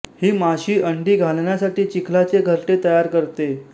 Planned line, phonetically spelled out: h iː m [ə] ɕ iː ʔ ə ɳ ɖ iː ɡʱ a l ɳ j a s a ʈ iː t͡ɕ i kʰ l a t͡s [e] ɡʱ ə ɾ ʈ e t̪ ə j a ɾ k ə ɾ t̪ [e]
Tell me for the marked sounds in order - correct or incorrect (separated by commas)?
incorrect, correct, correct